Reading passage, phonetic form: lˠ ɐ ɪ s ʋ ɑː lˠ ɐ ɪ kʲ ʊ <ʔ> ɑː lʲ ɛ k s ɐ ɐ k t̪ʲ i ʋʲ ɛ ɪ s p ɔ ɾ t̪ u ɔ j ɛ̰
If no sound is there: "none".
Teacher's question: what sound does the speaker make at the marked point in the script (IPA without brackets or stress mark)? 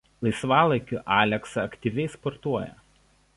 ʔ